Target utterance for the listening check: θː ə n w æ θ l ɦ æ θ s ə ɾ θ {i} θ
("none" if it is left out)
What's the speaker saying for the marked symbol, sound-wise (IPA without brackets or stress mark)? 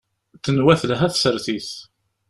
i